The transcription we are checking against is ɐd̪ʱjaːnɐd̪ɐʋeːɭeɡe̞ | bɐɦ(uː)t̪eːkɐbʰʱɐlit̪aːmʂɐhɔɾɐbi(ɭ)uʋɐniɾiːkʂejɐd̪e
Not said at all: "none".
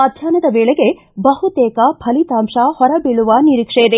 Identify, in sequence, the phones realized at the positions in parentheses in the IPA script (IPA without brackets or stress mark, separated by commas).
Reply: u, ɭ